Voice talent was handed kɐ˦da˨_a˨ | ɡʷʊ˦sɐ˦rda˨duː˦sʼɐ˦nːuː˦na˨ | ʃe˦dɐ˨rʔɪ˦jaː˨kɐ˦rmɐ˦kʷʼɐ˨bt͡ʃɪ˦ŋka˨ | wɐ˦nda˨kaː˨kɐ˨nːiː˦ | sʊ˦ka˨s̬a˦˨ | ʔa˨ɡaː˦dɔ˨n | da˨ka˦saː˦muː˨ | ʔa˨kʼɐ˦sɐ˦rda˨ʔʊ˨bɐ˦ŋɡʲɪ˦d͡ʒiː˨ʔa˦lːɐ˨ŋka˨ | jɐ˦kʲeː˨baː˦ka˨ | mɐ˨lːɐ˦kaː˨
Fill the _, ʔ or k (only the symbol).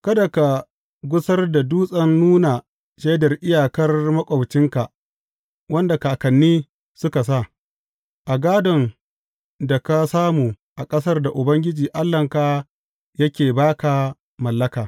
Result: k